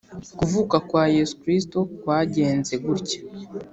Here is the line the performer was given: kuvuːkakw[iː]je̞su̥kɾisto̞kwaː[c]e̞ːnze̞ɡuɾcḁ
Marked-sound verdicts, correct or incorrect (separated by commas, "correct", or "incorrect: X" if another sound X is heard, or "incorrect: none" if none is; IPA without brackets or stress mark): incorrect: aː, incorrect: ɟ